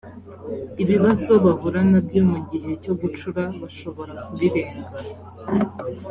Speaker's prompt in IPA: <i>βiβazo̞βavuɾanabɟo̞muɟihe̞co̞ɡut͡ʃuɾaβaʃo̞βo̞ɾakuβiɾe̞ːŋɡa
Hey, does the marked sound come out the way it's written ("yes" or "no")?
yes